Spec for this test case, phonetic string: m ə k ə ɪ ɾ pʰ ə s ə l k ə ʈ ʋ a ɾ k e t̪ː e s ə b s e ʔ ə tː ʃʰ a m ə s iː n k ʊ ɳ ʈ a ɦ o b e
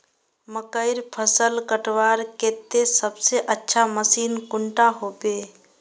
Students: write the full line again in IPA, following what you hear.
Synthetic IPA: m ə k ə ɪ ɾ pʰ ə s ə l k ə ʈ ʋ a ɾ k e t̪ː e s ə b s e ʔ ə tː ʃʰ a m ə s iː n k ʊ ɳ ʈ a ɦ o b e